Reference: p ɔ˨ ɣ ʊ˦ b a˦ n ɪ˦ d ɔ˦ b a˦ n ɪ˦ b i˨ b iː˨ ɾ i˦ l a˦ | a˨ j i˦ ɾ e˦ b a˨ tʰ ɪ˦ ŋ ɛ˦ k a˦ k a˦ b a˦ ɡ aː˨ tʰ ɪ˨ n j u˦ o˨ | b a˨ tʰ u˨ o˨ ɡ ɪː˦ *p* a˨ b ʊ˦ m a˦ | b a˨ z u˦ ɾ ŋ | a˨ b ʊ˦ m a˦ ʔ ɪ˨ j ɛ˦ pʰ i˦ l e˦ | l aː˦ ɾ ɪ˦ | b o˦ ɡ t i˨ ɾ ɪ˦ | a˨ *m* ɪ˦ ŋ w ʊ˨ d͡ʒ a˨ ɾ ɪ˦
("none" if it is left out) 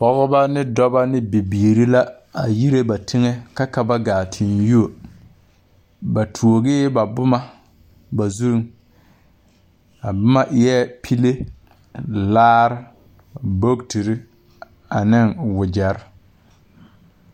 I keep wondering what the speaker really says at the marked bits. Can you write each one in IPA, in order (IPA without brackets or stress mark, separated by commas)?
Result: b, n